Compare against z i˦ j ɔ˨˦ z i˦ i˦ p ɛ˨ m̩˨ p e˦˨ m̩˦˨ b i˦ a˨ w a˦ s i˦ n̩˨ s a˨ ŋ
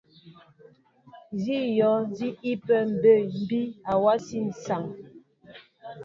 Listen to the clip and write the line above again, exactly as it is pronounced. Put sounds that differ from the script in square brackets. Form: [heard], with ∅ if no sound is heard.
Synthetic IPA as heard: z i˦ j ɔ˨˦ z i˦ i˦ p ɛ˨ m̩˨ [b] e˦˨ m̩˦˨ b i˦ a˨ w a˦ s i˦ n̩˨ s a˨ ŋ